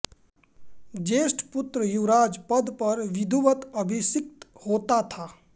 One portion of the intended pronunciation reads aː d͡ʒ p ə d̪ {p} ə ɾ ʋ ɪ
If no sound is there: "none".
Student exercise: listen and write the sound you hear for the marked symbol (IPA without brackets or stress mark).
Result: p